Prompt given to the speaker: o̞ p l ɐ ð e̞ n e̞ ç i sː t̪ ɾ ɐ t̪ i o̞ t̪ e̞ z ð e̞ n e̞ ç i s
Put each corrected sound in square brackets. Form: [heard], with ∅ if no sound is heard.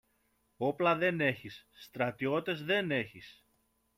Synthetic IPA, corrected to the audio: o̞ p l ɐ ð e̞ n e̞ ç i sː t̪ ɾ ɐ t̪ i o̞ t̪ e̞ z ð e̞ n e̞ ç i s